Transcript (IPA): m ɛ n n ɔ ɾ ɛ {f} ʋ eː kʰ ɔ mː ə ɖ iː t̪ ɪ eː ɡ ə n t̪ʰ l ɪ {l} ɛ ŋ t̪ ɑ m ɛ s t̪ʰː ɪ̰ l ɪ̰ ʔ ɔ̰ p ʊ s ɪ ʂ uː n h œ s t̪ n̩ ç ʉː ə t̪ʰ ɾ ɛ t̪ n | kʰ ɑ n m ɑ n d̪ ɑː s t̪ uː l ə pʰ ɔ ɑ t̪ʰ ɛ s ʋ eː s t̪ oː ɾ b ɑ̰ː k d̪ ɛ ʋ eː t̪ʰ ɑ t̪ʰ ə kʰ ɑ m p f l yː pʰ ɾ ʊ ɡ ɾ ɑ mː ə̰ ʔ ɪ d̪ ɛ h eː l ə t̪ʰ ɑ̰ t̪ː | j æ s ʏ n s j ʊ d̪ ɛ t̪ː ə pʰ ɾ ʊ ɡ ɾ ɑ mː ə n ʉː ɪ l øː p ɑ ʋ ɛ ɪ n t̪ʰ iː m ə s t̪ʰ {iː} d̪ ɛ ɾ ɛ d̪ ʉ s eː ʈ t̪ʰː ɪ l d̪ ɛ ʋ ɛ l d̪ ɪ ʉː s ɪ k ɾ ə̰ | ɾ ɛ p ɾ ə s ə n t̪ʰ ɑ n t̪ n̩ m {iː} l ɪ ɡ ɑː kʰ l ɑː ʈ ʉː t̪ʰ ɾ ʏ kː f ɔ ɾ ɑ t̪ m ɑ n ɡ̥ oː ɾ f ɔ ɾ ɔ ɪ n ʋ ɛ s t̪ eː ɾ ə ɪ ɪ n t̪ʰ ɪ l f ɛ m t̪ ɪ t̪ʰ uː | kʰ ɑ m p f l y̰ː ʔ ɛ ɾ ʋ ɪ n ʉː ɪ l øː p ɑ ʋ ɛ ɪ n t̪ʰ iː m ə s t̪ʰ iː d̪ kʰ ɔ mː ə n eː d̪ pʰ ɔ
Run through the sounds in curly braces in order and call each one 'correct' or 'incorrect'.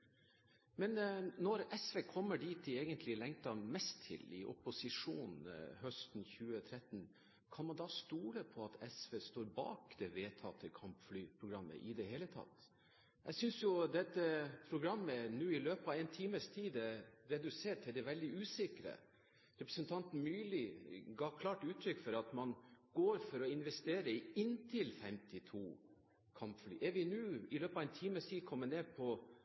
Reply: incorrect: s, correct, correct, incorrect: yː

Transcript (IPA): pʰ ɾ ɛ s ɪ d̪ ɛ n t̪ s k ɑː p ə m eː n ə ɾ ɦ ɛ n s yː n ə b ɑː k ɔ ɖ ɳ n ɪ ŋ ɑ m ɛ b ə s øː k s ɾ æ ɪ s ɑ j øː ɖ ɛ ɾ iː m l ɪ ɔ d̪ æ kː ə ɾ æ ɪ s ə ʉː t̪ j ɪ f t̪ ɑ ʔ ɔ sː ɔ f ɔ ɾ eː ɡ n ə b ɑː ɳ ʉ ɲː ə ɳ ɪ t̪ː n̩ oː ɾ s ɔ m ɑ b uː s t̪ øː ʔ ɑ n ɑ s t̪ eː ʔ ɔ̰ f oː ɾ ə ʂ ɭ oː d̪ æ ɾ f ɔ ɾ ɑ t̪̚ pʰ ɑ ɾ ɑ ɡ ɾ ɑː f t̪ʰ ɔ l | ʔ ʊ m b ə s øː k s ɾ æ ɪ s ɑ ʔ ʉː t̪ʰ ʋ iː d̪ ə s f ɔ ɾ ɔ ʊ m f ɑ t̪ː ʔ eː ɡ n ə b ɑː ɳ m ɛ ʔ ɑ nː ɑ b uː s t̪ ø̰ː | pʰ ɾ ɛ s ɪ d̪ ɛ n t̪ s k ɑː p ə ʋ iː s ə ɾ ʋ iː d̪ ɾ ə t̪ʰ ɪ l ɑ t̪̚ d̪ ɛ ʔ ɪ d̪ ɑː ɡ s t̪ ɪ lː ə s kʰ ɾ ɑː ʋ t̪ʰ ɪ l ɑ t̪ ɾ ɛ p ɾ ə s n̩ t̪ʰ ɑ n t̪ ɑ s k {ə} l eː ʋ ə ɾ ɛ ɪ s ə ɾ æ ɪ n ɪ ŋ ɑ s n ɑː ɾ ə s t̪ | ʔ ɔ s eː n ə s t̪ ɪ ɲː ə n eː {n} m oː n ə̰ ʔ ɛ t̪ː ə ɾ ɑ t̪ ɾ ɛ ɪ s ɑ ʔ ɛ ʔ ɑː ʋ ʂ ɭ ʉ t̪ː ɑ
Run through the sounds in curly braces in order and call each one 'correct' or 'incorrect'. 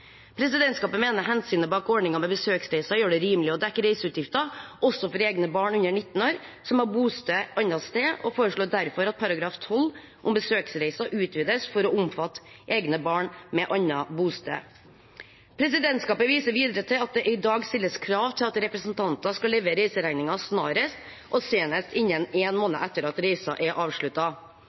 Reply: incorrect: ɑ, correct

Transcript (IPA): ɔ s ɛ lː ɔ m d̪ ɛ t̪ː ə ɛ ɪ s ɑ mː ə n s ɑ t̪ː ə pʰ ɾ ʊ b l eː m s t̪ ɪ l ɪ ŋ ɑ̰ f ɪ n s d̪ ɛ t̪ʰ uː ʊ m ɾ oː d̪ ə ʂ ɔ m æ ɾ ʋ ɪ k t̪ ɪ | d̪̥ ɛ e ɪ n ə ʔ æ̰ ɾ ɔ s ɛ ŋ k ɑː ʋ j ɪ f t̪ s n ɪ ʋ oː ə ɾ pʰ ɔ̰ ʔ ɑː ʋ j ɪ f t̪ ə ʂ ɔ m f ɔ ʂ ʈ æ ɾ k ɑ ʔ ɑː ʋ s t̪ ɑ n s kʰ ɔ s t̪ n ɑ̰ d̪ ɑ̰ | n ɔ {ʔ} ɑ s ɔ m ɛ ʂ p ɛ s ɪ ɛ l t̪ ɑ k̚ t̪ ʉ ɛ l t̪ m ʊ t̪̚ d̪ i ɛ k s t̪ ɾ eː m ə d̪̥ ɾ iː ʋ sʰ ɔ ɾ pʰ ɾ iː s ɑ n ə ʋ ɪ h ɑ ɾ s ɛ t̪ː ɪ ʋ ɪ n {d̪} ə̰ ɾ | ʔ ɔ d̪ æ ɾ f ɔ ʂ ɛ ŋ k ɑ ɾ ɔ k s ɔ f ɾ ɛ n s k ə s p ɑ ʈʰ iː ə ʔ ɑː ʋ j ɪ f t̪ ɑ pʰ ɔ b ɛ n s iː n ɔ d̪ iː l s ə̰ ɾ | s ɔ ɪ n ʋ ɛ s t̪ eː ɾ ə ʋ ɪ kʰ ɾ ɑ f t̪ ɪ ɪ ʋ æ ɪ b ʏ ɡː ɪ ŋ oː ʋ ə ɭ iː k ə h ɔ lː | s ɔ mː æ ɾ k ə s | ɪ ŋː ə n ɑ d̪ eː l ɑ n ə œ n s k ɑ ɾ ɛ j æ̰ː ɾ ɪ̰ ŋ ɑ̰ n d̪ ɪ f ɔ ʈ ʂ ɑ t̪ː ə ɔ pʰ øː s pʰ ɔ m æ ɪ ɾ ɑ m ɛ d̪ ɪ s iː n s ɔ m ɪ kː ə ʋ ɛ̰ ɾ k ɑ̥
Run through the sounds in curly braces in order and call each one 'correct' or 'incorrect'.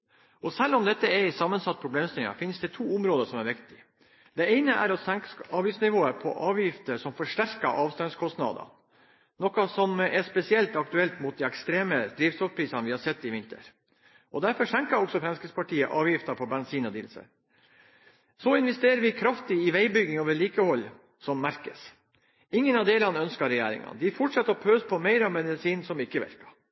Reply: incorrect: k, incorrect: t̪

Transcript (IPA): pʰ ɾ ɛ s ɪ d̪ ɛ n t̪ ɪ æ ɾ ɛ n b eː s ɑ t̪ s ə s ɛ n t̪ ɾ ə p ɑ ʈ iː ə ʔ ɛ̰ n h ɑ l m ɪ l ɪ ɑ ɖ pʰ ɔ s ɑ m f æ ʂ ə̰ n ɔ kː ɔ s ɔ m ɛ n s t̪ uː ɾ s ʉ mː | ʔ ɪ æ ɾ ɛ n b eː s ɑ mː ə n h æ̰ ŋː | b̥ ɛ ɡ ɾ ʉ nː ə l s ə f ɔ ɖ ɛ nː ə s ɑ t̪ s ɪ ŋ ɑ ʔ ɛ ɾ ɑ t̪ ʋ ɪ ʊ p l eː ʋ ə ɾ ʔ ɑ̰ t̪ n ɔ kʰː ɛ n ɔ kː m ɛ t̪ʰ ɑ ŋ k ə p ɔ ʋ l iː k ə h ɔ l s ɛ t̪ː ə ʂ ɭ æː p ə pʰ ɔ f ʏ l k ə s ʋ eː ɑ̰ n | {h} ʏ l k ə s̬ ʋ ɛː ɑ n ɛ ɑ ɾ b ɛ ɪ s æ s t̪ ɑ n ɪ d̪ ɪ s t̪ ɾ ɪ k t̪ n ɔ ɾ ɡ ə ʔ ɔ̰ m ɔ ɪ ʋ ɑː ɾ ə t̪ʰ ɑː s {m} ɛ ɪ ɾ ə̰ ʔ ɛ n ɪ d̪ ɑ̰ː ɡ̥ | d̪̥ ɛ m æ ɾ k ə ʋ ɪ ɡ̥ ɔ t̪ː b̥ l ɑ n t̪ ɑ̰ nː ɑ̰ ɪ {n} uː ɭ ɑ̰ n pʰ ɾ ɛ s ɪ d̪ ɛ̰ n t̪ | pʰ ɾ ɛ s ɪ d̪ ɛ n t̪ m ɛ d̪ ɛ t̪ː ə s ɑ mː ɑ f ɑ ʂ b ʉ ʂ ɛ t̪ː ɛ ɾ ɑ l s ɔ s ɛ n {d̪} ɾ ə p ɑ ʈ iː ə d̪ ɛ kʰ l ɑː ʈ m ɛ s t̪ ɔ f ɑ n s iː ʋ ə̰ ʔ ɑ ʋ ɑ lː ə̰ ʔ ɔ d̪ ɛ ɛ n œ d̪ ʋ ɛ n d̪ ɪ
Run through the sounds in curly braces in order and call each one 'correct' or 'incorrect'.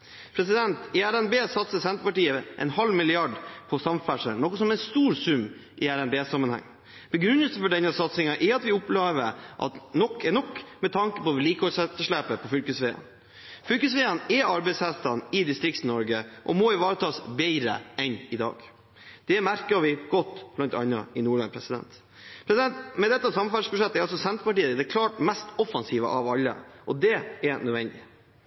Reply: incorrect: f, incorrect: b, correct, incorrect: t̪

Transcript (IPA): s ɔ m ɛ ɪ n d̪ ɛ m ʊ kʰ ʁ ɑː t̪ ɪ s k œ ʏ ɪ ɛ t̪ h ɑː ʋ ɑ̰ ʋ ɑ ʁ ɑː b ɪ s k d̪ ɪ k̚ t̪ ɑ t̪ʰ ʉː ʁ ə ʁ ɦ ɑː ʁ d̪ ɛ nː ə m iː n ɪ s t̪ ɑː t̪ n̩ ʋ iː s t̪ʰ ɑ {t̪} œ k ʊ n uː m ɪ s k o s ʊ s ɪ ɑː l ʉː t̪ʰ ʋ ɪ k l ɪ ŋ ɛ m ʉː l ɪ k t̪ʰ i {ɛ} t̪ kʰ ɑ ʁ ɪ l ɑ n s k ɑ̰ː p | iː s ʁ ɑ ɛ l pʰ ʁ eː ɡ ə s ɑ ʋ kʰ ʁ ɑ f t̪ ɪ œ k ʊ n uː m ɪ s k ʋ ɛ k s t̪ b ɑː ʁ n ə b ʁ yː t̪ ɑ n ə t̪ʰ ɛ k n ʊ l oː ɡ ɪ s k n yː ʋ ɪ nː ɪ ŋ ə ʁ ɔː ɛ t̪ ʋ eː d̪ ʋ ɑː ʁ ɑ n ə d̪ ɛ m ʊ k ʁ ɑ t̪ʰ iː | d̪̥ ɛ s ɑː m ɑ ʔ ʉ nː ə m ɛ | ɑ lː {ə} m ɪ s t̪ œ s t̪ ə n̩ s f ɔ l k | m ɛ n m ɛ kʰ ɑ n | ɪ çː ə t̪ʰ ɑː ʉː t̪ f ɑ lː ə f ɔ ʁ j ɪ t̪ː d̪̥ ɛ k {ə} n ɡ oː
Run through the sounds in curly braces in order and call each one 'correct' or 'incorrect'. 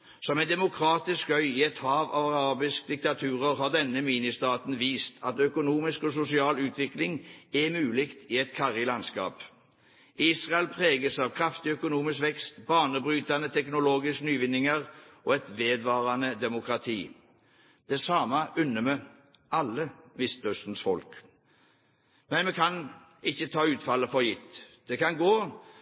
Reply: correct, correct, correct, incorrect: ɑ

